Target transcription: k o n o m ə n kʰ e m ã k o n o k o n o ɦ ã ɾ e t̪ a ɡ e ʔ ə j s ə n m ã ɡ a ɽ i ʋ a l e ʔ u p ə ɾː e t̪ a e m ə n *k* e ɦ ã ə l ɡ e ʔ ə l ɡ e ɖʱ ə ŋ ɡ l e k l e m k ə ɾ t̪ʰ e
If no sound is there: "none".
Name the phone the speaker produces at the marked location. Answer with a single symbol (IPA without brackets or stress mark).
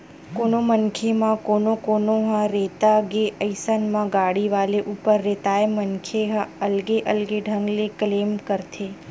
kʰ